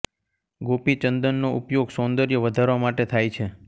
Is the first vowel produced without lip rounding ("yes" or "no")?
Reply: no